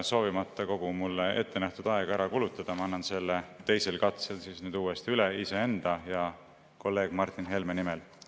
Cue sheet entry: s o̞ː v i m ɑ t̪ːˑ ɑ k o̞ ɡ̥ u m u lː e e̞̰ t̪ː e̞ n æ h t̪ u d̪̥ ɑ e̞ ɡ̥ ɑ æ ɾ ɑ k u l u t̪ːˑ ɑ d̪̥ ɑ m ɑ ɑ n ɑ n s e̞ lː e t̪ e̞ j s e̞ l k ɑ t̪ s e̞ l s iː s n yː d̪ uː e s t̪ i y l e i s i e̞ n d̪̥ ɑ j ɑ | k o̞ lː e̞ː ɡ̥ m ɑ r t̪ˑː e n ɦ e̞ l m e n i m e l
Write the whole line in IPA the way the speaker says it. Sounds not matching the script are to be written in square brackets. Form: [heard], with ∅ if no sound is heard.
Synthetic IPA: s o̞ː v i m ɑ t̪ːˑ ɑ k o̞ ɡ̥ u m u lː e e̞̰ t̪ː e̞ n æ h t̪ u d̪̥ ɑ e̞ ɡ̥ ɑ æ ɾ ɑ k u l u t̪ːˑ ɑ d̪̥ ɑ m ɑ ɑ [nː] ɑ n s e̞ lː e t̪ e̞ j s e̞ l k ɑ t̪ s e̞ l s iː s n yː d̪ uː e s t̪ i y l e i s [e] e̞ n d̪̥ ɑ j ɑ | k o̞ lː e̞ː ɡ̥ m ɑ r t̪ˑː [i] n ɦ e̞ l m e n i m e l

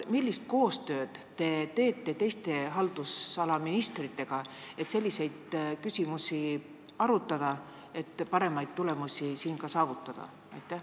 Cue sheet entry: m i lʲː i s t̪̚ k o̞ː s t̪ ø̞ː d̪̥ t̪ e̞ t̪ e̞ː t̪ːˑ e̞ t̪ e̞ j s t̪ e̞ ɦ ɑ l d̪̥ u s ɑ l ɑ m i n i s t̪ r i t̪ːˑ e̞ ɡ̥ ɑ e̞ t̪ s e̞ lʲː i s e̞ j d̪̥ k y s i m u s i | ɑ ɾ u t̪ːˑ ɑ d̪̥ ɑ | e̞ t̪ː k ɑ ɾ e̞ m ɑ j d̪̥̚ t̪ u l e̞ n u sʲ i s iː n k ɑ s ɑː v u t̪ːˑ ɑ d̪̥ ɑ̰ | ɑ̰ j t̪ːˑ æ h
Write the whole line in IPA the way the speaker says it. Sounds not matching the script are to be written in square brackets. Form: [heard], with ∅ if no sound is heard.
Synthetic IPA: m i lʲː i s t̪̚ k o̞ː s t̪ ø̞ː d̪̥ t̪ e̞ t̪ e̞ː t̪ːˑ e̞ t̪ e̞ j s t̪ e̞ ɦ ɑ l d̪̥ u s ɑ l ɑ m i n i s t̪ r i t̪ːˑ e̞ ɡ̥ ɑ e̞ t̪ s e̞ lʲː i s e̞ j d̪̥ k y s i m u s i | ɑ ɾ u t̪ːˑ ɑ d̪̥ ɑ | e̞ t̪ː [p] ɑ ɾ e̞ m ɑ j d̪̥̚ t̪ u l e̞ [m] u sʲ i s iː n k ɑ s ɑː v u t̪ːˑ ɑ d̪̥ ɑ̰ | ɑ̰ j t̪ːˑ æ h

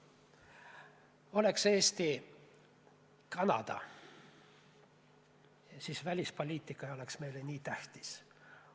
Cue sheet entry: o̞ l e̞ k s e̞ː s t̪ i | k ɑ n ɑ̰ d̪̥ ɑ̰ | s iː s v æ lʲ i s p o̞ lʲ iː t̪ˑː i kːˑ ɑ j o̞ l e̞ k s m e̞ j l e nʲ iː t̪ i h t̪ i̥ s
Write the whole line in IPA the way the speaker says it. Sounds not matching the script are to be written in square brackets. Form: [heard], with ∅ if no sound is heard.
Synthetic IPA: o̞ l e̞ k s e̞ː s t̪ i | k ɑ n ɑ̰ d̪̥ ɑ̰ | s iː s v æ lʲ i s p o̞ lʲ iː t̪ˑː i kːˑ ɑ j o̞ l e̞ k s m e̞ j l e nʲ iː t̪ [æ] h t̪ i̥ s

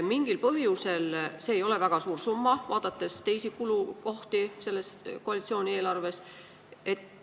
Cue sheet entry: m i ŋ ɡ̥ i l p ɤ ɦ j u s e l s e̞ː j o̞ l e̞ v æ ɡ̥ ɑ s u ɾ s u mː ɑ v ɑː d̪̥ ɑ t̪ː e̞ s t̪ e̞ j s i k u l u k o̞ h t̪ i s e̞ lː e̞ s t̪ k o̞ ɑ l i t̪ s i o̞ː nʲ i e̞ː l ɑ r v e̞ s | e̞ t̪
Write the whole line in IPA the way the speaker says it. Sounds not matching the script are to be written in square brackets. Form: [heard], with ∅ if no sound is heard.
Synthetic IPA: m i ŋ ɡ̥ i l p ɤ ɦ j u s e l s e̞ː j o̞ l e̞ v æ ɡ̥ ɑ s [uː] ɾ s u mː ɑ v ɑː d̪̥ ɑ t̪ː e̞ s t̪ e̞ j s i k u l u k o̞ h t̪ i s e̞ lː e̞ s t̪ k o̞ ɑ l i t̪ s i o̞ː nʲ i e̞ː l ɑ r v e̞ s | e̞ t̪

